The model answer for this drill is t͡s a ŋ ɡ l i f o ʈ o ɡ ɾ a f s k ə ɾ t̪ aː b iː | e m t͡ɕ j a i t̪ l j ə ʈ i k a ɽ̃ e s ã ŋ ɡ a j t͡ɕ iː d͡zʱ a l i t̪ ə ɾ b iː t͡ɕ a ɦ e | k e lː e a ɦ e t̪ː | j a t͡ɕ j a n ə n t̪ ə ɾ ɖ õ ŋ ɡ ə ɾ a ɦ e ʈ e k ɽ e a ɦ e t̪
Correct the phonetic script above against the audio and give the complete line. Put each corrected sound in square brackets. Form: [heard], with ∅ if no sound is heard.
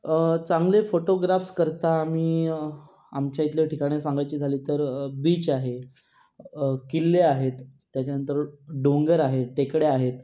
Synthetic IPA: t͡s a ŋ ɡ l [e] f o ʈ o ɡ ɾ a f s k ə ɾ t̪ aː [m] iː | [a] m t͡ɕ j a i t̪ l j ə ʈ i k a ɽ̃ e s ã ŋ ɡ a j t͡ɕ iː d͡zʱ a l [iː] t̪ ə ɾ b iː t͡ɕ a ɦ e | k [i] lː e a ɦ e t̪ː | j a t͡ɕ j a n ə n t̪ ə ɾ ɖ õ ŋ ɡ ə ɾ a ɦ e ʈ e k ɽ e a ɦ e t̪

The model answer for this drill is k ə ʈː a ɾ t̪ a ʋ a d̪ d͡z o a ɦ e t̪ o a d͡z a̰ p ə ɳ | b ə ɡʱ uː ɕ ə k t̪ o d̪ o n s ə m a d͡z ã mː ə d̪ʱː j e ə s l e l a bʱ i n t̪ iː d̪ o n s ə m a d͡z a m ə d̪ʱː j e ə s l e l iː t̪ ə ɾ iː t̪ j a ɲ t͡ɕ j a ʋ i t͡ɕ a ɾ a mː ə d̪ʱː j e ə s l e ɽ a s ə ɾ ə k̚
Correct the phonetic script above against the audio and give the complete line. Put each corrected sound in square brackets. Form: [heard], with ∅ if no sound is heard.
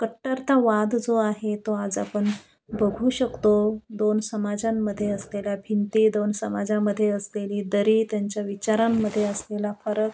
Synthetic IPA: k ə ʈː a ɾ t̪ a ʋ a d̪ d͡z o a ɦ e t̪ o a d͡z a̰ p ə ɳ | b ə ɡʱ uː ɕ ə k t̪ o d̪ o n s ə m a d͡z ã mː ə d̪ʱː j e ə s l e l a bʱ i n t̪ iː d̪ o n s ə m a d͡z a m ə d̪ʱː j e ə s l e l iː [d̪] ə ɾ iː t̪ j a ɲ t͡ɕ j a ʋ i t͡ɕ a ɾ a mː ə d̪ʱː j e ə s l e [l] a [f] ə ɾ ə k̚

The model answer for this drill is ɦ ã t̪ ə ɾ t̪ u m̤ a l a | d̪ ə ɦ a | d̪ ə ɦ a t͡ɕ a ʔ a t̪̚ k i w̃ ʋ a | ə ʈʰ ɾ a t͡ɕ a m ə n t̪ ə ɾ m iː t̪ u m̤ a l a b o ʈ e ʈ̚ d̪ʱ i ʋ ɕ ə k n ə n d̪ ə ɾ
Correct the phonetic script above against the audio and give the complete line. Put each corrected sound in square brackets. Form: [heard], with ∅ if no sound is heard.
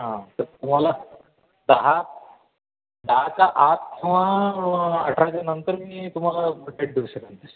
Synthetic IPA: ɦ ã t̪ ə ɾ t̪ u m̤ a l a | d̪ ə ɦ a | d̪ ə ɦ a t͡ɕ a ʔ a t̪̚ k i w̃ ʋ a | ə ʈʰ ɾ a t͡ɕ a [n] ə n t̪ ə ɾ m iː t̪ u m̤ a l a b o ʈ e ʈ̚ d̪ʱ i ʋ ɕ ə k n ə n [t̪] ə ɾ

